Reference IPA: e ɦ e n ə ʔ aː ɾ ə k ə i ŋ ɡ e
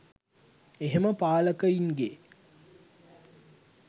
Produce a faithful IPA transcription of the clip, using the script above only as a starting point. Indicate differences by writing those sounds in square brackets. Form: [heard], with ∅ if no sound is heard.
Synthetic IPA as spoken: e ɦ e [m] ə [p] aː [l] ə k ə i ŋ ɡ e